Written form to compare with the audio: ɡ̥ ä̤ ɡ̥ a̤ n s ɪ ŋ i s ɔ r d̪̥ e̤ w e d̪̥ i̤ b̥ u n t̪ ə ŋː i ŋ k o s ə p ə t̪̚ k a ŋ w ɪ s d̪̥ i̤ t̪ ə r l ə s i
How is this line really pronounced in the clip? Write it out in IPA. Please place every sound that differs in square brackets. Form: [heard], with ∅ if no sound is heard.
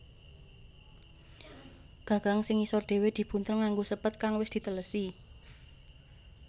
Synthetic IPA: ɡ̥ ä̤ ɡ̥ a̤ [ŋ] s ɪ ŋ i s ɔ r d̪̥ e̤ w e d̪̥ i̤ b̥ u n t̪ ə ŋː [a] ŋ [ɡ] o s ə p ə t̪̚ k a ŋ w ɪ s d̪̥ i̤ t̪ ə [∅] l ə s i